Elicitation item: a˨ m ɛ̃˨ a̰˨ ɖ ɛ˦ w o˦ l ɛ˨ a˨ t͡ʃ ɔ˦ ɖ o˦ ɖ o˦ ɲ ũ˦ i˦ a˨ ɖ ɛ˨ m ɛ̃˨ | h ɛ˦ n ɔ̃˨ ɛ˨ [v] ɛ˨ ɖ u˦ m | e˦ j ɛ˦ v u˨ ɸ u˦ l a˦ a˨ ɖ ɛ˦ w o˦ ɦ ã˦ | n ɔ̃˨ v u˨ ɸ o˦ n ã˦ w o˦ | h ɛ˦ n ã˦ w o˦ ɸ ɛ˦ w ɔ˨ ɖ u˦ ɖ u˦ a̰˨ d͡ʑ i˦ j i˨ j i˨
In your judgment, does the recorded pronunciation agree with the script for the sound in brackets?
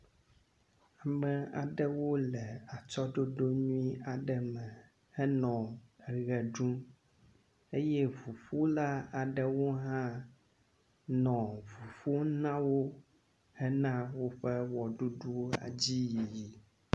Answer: no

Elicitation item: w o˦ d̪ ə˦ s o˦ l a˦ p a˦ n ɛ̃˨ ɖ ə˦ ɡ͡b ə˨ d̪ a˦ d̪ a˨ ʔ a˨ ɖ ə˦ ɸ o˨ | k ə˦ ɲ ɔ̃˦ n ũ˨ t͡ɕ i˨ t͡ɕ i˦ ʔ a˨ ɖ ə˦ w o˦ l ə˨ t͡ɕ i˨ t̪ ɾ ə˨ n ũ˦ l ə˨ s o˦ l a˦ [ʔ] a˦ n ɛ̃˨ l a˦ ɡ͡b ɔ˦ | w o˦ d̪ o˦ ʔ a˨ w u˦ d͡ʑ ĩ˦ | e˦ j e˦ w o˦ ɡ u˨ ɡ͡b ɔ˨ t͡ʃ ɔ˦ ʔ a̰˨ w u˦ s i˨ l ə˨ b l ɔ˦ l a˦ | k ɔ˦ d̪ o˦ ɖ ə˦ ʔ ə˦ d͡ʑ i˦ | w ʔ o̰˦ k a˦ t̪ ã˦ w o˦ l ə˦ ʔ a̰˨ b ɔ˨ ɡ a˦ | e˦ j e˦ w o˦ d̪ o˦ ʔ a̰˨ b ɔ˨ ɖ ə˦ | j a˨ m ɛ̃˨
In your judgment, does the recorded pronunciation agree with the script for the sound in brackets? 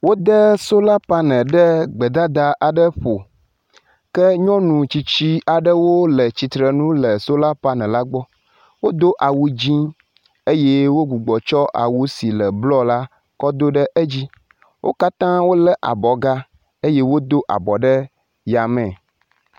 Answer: no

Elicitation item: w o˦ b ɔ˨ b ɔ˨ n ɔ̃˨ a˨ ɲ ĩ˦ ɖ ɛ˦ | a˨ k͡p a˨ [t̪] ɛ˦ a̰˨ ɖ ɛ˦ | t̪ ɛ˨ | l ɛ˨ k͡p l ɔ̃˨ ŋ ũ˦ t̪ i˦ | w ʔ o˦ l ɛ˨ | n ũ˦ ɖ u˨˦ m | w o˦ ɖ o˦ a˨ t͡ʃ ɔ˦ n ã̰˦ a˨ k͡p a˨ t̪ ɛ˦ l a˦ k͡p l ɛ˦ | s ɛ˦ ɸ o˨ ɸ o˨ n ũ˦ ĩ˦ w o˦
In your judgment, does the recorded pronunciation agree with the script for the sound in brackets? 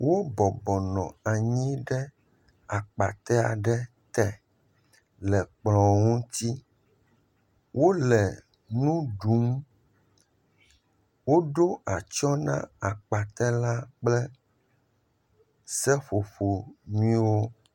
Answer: yes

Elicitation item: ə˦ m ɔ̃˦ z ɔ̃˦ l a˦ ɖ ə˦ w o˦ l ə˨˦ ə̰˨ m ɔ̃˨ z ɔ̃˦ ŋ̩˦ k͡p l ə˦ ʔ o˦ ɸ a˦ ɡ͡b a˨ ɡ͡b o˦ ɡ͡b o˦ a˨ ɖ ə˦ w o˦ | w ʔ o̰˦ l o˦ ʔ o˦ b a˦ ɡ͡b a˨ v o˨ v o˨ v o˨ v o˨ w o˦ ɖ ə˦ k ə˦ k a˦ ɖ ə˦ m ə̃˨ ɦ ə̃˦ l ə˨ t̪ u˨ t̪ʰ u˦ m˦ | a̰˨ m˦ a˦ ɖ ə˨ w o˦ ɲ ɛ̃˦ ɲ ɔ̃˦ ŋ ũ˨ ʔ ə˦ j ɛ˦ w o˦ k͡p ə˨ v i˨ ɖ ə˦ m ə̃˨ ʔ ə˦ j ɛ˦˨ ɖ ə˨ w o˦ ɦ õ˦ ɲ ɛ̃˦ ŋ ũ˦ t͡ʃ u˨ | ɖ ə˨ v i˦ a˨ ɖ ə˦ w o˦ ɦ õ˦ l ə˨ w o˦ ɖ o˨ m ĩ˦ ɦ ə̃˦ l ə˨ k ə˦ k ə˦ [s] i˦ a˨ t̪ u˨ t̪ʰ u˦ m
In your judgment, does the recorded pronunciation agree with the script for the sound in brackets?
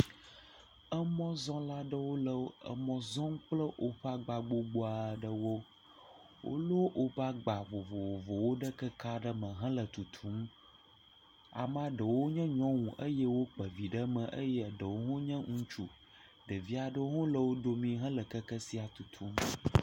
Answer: yes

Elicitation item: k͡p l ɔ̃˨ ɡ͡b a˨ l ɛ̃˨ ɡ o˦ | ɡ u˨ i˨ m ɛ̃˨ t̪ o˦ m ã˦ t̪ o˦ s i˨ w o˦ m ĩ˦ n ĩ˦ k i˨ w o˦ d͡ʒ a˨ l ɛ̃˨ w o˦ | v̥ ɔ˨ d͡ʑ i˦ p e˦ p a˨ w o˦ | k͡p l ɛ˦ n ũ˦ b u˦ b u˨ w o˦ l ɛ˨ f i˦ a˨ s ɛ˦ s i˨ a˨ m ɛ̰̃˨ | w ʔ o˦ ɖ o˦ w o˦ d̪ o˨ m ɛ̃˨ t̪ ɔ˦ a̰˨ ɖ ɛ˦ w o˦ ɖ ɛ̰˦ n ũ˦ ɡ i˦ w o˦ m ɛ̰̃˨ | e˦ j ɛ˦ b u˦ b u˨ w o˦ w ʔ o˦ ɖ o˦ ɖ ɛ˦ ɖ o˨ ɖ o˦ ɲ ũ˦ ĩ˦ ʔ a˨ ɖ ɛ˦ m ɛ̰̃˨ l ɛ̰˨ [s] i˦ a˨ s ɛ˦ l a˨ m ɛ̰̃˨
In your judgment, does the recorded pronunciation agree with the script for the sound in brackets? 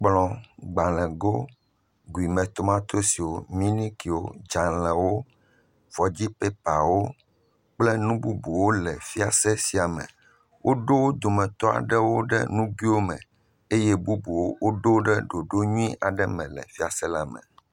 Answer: no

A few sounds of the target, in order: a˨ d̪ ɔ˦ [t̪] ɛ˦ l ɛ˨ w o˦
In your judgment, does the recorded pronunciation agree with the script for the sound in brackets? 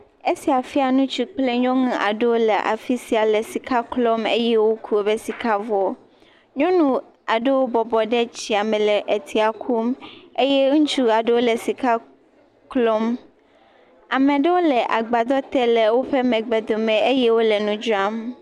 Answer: yes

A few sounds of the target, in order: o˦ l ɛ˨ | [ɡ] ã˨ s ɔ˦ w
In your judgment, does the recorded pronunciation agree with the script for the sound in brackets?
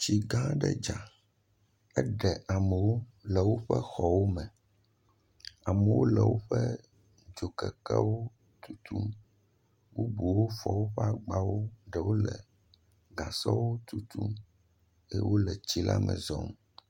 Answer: yes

